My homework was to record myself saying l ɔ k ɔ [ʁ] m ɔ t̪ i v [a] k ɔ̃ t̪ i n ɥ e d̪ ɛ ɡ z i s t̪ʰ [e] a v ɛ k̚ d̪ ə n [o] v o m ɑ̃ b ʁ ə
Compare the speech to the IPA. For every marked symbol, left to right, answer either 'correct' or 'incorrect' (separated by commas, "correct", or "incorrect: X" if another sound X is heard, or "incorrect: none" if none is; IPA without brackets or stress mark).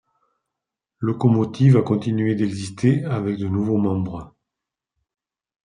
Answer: incorrect: none, correct, correct, incorrect: u